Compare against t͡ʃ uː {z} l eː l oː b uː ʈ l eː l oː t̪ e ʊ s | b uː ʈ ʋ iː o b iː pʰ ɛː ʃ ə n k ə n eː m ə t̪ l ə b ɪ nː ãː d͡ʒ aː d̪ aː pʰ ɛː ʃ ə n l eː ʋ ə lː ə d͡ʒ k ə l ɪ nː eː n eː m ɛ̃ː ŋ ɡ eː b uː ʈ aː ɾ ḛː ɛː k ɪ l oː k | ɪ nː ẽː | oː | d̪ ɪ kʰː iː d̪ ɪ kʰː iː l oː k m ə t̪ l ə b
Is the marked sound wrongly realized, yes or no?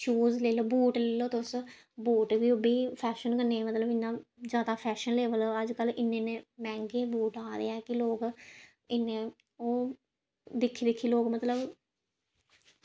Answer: no